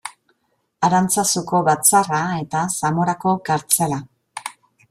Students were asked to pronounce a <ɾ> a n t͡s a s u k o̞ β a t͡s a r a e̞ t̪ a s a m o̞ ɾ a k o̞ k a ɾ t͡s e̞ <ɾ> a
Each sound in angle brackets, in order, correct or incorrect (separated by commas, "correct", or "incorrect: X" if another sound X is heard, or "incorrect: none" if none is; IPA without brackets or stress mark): correct, incorrect: l